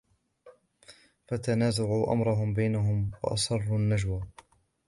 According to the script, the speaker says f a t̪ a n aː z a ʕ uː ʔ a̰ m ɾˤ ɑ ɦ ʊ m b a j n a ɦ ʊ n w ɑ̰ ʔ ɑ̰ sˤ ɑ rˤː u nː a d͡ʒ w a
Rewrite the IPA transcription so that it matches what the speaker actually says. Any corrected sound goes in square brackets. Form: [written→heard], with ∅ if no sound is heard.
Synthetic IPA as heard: f a t̪ a n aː z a ʕ uː ʔ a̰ m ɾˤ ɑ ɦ ʊ m b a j n a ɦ ʊ [n→m] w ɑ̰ ʔ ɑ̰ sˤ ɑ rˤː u nː a d͡ʒ w a